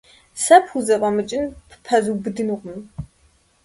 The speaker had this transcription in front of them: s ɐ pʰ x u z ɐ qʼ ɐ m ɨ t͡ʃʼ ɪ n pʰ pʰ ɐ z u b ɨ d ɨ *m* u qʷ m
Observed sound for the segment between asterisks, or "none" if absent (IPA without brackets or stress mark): n